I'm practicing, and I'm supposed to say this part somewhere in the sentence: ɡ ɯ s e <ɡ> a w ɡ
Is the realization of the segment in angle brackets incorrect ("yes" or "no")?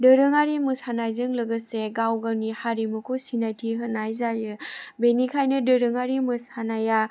no